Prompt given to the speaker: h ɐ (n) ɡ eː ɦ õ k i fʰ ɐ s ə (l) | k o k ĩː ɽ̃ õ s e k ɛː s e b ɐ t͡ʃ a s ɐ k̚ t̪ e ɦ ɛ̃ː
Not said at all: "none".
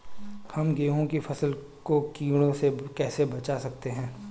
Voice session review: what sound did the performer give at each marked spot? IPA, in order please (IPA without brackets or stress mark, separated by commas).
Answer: m, l